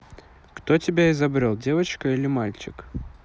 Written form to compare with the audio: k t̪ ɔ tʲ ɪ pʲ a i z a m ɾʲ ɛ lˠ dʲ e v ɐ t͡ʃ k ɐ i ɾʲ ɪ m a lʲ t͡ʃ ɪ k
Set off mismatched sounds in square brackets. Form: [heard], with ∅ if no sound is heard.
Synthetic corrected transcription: k t̪ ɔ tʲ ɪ [bʲ] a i z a [b] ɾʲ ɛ lˠ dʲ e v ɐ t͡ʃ k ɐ i [lʲ] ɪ m a lʲ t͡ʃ ɪ k